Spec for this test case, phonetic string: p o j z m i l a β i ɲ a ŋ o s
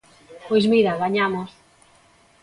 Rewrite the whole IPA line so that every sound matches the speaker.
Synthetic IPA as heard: p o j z m i ɾ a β a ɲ a m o s